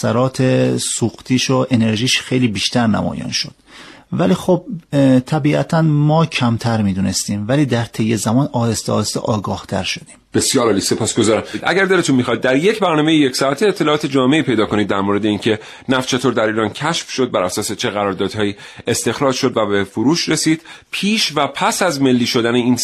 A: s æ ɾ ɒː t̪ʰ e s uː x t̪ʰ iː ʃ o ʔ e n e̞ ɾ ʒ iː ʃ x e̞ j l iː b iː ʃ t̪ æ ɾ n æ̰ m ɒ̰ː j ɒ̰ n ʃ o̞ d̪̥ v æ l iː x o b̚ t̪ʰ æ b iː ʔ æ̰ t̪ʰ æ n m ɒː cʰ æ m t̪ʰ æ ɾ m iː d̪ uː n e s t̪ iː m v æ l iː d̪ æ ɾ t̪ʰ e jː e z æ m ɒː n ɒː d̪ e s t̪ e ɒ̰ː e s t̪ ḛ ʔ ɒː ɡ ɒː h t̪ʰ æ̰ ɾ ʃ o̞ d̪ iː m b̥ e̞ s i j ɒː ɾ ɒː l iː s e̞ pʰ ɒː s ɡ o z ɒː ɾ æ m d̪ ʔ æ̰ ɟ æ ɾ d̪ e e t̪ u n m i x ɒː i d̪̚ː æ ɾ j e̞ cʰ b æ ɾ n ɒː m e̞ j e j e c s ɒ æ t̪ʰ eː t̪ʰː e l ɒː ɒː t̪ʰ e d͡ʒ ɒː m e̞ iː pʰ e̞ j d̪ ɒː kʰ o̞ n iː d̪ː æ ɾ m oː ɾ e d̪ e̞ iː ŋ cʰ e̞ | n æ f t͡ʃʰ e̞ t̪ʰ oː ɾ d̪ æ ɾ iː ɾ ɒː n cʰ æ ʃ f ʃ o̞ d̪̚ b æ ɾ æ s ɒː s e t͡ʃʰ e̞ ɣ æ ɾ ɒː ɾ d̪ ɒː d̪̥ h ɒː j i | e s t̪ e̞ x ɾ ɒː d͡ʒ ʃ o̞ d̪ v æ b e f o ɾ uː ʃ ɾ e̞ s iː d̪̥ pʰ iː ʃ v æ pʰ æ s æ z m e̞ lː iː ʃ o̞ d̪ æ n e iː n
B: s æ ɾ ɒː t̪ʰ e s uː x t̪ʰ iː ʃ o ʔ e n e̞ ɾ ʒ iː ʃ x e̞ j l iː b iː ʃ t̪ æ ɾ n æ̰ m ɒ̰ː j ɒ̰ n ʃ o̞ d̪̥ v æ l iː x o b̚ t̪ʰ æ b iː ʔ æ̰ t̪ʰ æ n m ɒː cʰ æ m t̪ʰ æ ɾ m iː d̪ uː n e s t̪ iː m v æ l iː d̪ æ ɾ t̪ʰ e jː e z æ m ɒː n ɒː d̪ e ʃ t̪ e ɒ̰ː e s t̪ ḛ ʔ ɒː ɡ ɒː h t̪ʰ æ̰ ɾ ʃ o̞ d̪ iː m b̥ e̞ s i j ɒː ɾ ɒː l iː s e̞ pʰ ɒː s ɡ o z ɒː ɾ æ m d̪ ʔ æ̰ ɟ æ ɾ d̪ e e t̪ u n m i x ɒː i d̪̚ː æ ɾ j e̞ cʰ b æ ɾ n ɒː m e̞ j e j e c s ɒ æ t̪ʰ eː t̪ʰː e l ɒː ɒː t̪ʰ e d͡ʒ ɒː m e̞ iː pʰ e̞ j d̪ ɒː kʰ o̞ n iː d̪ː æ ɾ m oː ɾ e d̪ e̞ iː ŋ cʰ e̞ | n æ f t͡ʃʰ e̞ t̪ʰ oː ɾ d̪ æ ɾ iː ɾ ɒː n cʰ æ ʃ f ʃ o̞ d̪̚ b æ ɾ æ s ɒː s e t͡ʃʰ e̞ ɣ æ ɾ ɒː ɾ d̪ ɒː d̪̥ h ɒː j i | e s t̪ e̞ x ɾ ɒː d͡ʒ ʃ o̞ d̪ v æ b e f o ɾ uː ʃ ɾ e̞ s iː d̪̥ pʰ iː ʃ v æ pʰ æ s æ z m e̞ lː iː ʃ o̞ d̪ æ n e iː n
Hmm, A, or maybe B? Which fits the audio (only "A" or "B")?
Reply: A